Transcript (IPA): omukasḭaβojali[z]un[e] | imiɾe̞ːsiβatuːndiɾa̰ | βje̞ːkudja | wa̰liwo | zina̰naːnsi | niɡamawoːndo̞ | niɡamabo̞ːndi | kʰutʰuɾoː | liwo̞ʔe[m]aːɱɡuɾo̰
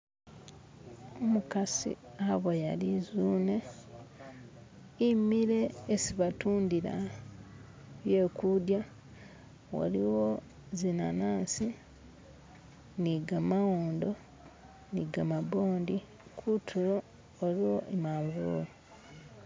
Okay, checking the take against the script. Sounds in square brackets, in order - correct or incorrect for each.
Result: correct, correct, correct

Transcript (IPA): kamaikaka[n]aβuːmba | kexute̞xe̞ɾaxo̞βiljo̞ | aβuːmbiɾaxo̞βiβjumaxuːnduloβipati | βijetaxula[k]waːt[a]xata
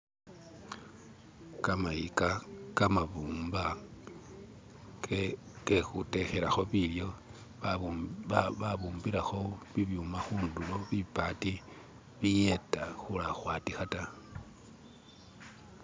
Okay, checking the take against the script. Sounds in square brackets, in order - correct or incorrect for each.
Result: incorrect, incorrect, incorrect

